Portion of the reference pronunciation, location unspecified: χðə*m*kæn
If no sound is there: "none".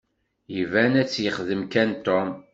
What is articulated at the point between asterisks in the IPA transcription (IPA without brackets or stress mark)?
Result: m